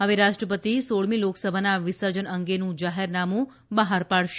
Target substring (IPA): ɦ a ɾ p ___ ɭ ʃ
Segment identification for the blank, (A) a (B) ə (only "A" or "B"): A